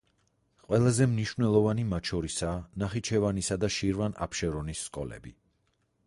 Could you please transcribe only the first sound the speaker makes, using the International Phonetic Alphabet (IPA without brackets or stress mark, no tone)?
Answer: qʼ